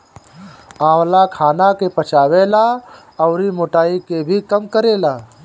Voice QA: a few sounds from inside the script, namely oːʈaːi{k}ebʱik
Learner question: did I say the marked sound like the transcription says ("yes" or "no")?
yes